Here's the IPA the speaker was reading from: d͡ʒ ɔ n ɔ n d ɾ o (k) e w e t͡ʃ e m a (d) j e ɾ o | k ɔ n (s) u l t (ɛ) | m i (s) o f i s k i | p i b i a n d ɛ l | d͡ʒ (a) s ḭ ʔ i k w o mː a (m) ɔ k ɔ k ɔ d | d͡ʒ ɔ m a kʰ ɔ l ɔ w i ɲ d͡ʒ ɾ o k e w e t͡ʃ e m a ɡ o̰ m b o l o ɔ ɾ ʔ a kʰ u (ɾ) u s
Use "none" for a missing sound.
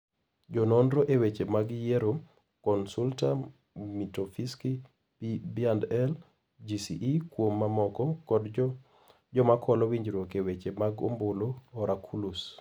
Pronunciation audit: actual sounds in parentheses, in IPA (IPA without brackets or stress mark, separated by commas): ʔ, ɡ, s, a, t, i, m, l